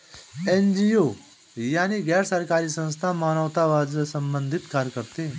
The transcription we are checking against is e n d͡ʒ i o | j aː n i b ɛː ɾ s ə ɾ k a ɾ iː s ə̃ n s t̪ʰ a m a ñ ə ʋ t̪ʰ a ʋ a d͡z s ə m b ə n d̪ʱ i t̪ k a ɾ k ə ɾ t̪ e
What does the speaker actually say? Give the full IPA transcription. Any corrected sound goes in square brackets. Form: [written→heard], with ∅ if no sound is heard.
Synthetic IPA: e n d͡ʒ i o | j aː n i [b→ɡ] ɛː ɾ s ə ɾ k a ɾ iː s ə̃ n s t̪ʰ a m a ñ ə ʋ [t̪ʰ→t̪] a ʋ a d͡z s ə m b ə n d̪ʱ i t̪ k a ɾ k ə ɾ t̪ e